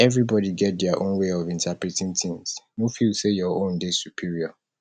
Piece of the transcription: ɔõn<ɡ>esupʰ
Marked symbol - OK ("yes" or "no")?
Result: no